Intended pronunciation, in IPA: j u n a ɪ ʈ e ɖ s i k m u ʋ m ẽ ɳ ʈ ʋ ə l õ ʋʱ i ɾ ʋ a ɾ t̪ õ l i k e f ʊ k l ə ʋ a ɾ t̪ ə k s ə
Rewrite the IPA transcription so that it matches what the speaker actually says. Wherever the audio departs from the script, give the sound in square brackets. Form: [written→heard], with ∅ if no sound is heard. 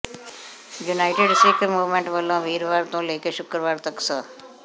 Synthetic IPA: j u n a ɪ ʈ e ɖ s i k m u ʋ m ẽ ɳ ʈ ʋ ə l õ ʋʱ i ɾ ʋ a ɾ t̪ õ l [i→e] k e [f→ʃ] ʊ k [l→ɾ] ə ʋ a ɾ t̪ ə k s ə